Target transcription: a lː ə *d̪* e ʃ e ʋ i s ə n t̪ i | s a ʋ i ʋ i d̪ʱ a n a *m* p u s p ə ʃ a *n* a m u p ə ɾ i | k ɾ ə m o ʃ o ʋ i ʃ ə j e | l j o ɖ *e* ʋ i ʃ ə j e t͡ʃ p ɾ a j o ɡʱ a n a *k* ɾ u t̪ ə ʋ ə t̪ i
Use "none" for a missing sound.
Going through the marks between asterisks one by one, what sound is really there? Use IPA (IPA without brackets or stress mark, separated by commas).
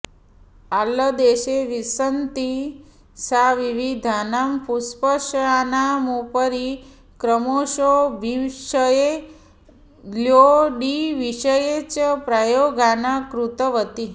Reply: d̪, m, n, i, k